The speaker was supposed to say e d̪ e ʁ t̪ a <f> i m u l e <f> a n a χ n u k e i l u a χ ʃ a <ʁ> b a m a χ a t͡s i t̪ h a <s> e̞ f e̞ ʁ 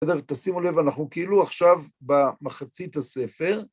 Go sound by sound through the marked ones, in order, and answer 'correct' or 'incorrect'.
incorrect: s, incorrect: v, incorrect: v, correct

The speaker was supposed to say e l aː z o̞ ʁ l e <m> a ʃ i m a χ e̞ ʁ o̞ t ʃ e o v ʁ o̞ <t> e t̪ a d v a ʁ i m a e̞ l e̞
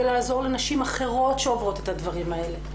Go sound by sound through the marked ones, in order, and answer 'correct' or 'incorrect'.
incorrect: n, correct

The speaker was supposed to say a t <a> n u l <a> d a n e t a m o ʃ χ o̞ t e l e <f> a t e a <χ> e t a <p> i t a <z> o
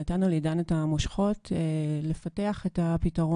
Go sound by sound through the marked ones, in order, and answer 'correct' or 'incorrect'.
correct, incorrect: i, correct, correct, correct, incorrect: ʁ

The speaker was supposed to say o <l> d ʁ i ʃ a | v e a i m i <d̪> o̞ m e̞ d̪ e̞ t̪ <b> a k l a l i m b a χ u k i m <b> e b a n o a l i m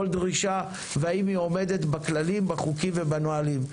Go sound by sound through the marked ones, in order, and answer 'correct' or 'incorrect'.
correct, incorrect: none, correct, incorrect: v

